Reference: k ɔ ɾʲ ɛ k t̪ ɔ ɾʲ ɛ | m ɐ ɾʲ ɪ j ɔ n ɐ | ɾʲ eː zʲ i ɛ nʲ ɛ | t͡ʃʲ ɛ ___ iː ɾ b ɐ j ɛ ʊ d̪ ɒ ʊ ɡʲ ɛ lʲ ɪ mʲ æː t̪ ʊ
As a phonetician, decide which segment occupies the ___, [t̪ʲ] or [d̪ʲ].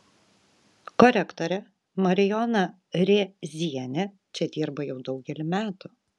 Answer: d̪ʲ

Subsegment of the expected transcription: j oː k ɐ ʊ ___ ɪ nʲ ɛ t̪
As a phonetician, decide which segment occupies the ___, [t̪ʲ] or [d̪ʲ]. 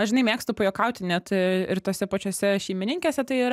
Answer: t̪ʲ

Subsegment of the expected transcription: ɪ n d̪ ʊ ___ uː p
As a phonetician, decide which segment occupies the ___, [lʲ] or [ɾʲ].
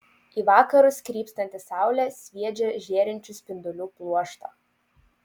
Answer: lʲ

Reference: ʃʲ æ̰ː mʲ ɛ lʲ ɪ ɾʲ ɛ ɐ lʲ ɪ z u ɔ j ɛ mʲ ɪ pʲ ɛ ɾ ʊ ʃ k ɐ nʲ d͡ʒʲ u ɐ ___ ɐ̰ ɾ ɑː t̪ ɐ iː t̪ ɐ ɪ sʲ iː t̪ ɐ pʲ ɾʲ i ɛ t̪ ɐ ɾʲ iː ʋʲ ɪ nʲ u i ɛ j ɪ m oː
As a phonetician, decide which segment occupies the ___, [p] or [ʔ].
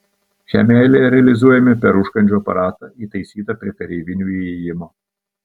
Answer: p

